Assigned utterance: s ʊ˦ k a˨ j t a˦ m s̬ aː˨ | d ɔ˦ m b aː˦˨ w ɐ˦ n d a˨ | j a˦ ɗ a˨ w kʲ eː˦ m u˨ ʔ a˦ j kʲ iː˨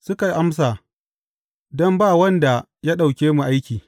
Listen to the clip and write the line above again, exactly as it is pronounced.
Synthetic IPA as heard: s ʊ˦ k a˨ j ʔ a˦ m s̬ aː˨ | d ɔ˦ m b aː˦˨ w ɐ˦ n d a˨ | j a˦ ɗ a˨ w kʲ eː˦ m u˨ ʔ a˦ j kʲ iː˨